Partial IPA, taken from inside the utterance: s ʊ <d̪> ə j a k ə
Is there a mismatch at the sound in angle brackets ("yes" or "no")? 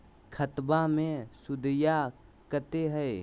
no